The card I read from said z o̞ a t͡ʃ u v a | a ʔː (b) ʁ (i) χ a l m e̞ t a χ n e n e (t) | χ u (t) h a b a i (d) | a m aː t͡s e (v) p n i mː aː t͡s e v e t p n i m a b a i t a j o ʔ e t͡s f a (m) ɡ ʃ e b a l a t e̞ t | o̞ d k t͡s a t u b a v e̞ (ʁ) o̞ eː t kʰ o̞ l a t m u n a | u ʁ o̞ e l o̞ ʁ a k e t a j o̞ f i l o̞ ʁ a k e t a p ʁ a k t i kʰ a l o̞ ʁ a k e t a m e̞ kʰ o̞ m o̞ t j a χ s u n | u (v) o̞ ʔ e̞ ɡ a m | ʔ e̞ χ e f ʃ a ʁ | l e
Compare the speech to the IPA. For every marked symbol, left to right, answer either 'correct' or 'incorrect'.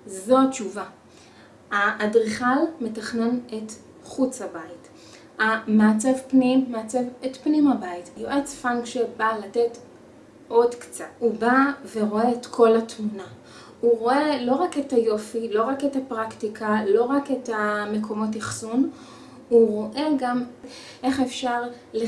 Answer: incorrect, correct, correct, incorrect, incorrect, correct, incorrect, correct, incorrect

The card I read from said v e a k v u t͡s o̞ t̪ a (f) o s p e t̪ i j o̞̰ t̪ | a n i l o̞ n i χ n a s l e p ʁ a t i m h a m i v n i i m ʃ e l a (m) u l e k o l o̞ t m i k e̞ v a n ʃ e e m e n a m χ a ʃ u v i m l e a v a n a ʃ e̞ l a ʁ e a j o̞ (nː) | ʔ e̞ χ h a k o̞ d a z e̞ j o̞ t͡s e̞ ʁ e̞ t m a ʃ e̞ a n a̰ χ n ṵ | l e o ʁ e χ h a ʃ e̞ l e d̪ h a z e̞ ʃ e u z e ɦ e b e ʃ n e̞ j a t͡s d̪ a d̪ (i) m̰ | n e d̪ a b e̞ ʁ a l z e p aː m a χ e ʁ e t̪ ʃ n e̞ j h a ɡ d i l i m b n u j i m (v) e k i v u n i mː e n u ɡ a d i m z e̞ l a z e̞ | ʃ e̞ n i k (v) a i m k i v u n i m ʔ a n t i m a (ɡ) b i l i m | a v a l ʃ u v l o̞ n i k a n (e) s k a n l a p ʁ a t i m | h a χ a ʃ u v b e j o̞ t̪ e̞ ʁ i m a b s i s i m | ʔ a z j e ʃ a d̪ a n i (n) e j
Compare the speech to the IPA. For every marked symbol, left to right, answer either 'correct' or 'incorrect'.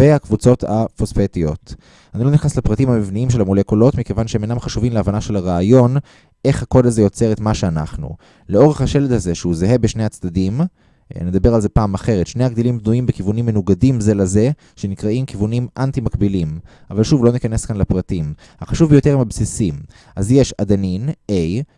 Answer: correct, correct, incorrect, correct, incorrect, incorrect, incorrect, correct, correct

